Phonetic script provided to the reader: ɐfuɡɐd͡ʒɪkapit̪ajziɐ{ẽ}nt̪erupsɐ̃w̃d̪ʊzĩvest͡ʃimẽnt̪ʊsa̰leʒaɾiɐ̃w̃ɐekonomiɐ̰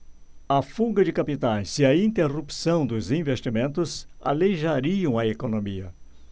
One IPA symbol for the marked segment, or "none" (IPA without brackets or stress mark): ĩ